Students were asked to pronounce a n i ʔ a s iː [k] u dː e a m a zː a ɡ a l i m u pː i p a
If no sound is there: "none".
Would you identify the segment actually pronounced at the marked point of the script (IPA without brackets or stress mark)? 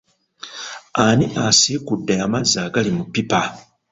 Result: k